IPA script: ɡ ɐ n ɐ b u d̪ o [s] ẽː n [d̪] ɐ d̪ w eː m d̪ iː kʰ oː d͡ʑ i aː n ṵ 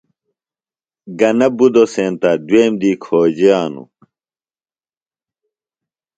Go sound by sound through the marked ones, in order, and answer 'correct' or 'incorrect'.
correct, incorrect: t̪

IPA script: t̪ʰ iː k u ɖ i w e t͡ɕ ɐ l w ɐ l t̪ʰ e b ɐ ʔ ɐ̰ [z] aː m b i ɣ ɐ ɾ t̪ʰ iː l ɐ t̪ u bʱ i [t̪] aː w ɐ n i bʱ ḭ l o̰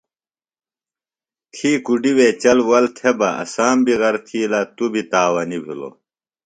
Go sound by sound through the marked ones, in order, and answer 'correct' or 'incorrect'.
incorrect: s, correct

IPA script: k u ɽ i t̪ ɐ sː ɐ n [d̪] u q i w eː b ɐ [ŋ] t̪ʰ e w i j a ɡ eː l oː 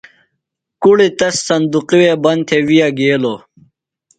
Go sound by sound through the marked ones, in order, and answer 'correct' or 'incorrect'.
correct, incorrect: n

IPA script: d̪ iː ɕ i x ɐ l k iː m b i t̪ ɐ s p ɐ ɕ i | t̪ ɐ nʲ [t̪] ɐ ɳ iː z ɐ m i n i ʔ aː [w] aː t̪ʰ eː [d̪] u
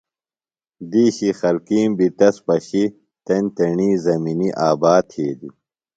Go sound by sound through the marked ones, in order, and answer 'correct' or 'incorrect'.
correct, incorrect: b, correct

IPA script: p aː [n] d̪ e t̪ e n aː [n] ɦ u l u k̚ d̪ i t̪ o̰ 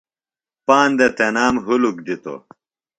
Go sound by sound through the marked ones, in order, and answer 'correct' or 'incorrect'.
correct, incorrect: m

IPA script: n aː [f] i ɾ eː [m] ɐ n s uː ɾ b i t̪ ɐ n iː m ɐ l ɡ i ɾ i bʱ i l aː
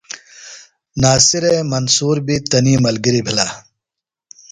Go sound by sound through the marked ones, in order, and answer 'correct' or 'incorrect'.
incorrect: s, correct

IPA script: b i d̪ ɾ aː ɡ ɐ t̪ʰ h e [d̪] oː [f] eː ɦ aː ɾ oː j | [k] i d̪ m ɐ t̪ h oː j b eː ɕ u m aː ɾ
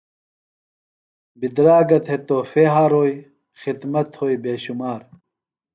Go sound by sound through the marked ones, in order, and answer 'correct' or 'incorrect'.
incorrect: t̪, correct, incorrect: x

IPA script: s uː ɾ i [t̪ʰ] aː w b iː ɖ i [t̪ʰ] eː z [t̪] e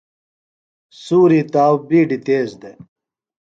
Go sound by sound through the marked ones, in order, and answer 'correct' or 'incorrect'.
incorrect: t̪, incorrect: t̪, incorrect: d̪

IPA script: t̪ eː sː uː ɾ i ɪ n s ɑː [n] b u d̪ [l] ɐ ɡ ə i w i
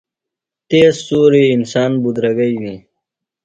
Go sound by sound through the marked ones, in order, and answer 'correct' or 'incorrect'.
correct, incorrect: ɾ

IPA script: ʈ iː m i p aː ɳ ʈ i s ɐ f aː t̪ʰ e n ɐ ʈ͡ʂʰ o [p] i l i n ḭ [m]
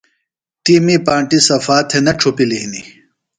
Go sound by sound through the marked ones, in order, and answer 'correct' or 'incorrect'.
correct, incorrect: none

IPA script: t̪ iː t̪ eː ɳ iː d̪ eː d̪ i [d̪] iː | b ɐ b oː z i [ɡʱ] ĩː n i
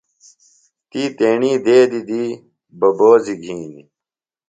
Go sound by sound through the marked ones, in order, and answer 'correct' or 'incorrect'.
correct, correct

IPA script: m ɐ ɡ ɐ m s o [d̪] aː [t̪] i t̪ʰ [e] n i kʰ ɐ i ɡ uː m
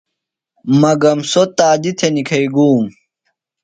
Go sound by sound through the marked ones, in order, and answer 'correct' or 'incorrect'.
incorrect: t̪, incorrect: d̪, correct

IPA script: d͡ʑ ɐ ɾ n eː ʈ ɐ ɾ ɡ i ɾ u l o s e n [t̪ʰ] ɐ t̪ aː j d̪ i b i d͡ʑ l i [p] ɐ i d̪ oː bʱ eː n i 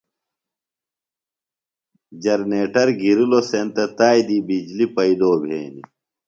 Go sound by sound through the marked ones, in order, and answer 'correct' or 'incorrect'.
incorrect: t̪, correct

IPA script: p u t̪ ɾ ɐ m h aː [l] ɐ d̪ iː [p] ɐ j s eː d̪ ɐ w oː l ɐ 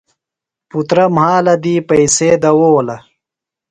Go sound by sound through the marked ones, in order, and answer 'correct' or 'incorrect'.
correct, correct

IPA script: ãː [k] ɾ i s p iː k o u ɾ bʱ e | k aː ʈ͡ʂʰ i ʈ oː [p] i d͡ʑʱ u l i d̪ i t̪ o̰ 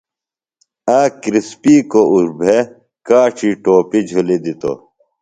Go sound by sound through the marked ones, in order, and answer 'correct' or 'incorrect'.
correct, correct

